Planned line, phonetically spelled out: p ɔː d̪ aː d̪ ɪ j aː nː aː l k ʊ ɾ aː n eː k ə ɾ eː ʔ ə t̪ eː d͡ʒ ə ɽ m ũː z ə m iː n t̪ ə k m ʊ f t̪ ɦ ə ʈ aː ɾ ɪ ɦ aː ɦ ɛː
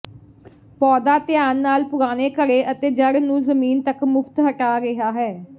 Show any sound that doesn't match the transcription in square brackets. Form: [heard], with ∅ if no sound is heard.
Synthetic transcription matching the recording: p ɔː d̪ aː [t̪] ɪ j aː nː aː l [p] ʊ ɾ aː n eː k ə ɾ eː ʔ ə t̪ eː d͡ʒ ə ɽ [n] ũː z ə m iː n t̪ ə k m ʊ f t̪ ɦ ə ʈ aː ɾ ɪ ɦ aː ɦ ɛː